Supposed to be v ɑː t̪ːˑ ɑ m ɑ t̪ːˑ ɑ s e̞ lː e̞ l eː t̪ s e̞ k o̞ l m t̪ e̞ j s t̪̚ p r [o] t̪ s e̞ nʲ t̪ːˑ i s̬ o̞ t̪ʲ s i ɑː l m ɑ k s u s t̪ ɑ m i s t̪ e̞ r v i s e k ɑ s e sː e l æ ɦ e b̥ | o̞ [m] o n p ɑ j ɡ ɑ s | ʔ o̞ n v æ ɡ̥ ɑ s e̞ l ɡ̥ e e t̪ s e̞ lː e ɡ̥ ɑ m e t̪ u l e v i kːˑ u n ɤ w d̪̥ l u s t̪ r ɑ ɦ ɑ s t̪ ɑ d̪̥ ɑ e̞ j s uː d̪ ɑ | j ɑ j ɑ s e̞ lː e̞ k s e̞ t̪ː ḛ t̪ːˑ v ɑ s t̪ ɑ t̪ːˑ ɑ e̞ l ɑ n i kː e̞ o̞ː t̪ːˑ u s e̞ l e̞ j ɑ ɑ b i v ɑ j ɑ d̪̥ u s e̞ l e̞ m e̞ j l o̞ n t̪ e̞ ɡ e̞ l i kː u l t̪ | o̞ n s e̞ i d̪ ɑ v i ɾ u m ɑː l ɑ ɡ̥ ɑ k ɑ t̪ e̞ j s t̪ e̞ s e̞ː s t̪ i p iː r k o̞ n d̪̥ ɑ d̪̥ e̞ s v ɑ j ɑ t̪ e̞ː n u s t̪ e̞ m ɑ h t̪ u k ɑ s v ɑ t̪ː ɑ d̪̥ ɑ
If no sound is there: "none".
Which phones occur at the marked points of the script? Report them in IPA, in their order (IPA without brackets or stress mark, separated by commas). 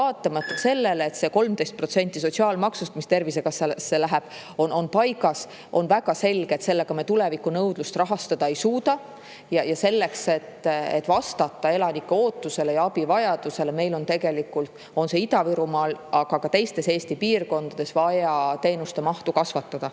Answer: o, n